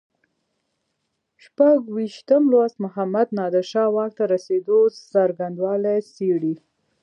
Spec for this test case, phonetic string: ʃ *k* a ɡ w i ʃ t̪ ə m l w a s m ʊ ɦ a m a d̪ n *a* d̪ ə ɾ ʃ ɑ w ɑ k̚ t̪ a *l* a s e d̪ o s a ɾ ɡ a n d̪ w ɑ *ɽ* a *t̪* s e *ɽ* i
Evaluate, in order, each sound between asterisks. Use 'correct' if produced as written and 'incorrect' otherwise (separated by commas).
incorrect, incorrect, incorrect, incorrect, incorrect, correct